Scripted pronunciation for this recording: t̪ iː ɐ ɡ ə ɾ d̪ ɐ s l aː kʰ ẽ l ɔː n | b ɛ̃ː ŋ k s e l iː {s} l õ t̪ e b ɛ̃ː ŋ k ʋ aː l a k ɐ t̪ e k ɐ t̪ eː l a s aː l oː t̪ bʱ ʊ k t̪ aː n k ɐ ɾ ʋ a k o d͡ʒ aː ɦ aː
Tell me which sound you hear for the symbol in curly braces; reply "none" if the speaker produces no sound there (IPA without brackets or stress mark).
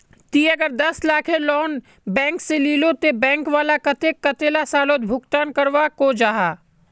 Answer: none